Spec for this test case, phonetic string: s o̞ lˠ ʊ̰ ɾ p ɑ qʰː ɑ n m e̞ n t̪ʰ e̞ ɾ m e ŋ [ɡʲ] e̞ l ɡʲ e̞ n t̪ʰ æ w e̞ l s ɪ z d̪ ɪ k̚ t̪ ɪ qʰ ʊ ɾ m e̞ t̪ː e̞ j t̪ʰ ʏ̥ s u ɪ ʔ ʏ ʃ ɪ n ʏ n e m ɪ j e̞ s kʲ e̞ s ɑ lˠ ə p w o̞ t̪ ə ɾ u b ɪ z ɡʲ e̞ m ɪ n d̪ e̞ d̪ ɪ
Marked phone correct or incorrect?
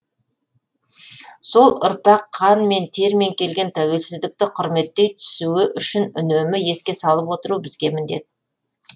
incorrect: kʲ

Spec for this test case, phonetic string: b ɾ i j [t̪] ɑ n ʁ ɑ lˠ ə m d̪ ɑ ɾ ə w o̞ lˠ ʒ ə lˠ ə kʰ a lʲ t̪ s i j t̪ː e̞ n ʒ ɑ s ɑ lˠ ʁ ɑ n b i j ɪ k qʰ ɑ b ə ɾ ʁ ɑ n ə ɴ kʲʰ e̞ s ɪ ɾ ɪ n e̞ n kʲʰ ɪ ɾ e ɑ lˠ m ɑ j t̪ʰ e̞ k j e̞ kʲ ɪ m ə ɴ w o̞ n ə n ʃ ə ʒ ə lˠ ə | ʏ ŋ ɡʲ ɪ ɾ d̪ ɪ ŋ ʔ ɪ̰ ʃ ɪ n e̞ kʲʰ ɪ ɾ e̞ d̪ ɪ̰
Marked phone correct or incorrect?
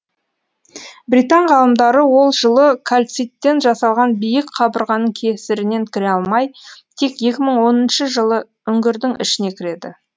correct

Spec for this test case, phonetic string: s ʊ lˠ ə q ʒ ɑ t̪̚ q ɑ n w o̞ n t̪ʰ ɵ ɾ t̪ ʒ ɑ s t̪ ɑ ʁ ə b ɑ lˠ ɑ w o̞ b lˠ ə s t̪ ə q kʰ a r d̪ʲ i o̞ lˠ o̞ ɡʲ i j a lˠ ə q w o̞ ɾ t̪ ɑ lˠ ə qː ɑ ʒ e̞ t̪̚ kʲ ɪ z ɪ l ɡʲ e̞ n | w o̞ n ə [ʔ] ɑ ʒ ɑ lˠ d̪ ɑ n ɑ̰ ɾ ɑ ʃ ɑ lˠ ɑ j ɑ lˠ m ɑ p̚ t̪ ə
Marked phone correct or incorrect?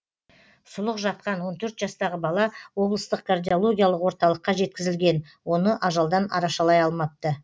correct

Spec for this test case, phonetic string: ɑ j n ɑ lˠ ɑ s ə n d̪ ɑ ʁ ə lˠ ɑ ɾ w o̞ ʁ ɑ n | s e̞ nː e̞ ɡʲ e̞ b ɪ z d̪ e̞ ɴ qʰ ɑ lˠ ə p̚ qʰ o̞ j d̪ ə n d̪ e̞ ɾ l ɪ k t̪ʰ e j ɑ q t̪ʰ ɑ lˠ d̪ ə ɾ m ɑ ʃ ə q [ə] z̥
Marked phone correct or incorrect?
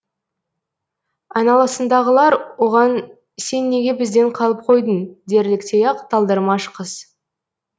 correct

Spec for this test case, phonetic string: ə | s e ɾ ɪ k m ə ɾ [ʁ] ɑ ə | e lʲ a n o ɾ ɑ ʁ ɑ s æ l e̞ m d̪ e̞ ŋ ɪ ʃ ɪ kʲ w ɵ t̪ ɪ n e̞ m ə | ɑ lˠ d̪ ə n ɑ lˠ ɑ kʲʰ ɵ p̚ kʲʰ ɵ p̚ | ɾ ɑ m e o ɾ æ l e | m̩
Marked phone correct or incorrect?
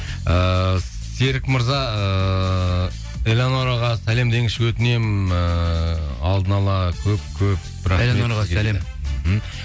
incorrect: z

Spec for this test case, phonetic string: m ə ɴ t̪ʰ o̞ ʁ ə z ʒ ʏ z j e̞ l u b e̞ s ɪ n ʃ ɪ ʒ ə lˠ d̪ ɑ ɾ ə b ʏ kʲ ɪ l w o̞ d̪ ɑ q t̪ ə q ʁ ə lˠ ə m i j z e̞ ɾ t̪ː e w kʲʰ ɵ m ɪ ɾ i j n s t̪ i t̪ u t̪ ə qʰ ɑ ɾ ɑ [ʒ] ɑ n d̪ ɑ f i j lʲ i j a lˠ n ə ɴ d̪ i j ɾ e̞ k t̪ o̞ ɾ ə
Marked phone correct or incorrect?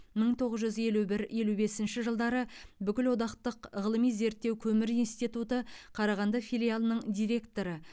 incorrect: ʁ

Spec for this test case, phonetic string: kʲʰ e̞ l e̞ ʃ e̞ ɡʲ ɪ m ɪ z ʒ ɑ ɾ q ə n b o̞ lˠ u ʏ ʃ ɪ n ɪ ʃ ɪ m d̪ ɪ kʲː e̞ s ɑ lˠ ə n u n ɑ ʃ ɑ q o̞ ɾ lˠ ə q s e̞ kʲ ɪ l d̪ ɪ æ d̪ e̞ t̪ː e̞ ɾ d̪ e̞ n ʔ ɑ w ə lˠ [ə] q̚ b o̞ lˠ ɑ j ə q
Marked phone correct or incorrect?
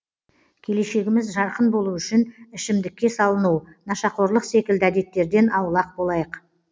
incorrect: ɑ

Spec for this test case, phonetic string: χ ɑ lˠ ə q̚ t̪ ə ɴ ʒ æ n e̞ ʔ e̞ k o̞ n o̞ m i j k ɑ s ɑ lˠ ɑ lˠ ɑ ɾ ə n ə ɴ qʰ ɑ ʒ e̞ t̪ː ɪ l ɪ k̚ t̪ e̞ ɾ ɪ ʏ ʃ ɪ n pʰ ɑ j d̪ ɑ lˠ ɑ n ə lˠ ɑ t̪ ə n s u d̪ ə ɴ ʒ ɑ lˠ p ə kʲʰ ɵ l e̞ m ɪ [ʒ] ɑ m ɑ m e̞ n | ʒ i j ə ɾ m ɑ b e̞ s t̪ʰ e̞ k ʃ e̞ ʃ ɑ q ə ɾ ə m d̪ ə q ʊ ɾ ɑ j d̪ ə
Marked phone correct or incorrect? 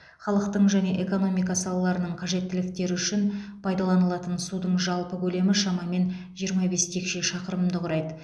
incorrect: ʃ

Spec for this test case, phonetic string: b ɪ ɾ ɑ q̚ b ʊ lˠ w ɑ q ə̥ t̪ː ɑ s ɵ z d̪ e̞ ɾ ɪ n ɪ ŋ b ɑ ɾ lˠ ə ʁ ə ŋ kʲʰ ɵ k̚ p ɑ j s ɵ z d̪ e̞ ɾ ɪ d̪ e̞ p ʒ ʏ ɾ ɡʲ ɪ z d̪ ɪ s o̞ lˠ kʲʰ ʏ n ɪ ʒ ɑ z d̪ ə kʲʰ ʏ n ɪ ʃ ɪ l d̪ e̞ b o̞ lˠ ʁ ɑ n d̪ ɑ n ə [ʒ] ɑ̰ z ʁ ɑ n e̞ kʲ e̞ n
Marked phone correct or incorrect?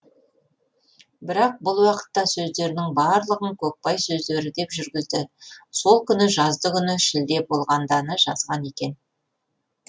correct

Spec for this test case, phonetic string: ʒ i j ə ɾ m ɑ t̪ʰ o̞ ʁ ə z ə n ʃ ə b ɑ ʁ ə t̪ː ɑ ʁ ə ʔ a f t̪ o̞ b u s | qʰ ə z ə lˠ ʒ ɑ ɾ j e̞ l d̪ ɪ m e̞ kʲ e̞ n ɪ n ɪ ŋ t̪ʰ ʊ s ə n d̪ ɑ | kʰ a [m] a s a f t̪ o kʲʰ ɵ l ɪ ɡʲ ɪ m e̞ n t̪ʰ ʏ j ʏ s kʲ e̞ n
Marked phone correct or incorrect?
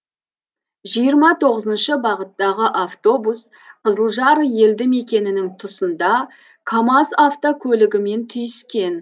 correct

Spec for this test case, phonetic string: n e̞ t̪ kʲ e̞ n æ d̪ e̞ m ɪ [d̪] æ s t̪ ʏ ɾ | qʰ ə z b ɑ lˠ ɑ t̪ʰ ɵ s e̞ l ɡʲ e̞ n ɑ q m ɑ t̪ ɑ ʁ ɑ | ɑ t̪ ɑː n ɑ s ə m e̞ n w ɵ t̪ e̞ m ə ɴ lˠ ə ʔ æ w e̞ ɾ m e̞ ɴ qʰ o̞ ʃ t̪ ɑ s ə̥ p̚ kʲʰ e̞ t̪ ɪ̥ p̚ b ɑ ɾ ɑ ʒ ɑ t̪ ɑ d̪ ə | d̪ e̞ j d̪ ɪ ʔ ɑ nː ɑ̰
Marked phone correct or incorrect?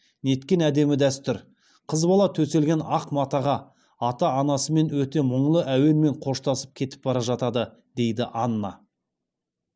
correct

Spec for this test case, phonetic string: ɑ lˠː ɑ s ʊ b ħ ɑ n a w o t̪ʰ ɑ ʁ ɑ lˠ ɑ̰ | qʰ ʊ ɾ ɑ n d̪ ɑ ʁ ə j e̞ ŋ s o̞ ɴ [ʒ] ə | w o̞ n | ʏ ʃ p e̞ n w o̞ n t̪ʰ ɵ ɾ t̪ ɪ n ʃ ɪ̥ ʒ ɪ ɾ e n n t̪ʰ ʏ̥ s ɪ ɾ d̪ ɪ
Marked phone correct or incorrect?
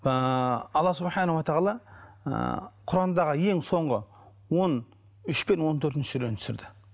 incorrect: ʁ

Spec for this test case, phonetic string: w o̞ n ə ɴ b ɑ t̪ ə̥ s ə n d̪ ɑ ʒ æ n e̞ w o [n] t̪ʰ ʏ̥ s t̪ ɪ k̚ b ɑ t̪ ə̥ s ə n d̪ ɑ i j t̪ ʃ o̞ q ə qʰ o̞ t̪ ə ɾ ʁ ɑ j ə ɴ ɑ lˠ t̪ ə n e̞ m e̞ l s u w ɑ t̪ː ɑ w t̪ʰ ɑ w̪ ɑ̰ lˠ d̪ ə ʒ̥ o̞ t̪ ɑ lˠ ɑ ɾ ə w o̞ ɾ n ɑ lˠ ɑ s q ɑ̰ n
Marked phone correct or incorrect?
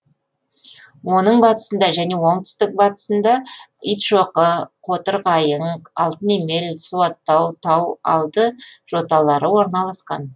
incorrect: ɴ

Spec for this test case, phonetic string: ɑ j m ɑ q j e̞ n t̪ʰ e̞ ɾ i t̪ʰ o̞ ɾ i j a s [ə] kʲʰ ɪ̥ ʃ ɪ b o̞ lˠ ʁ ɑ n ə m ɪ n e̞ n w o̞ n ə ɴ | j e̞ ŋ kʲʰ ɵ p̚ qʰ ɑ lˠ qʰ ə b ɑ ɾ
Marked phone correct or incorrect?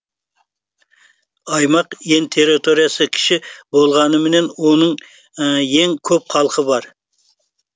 correct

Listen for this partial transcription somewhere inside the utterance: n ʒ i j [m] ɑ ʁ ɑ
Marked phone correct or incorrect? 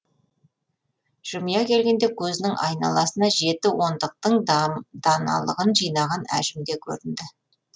incorrect: n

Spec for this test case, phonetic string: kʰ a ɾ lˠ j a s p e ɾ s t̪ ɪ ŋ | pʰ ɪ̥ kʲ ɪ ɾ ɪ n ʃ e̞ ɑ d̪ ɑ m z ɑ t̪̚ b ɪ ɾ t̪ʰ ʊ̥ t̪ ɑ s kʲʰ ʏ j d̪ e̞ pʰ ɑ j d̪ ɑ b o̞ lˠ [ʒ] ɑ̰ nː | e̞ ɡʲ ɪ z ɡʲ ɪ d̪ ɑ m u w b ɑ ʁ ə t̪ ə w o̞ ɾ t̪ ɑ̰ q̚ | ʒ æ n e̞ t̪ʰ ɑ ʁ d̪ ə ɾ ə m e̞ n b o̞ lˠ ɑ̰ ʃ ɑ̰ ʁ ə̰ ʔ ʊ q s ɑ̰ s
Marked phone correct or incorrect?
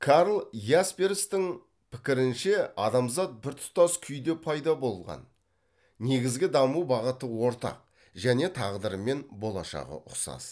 incorrect: ʁ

